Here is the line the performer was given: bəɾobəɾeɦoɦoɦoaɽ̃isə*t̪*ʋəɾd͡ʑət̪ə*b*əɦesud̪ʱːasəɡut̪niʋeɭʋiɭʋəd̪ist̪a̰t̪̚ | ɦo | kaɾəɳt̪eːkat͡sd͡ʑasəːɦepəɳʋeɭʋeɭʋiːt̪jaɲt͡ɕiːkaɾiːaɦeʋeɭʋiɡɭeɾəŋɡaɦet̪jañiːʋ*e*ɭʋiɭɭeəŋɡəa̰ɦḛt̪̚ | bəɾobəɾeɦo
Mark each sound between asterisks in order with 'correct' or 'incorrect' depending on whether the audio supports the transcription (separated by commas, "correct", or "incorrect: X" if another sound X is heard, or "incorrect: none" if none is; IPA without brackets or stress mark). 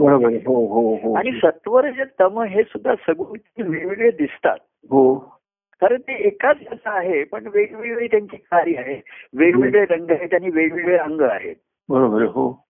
correct, incorrect: m, correct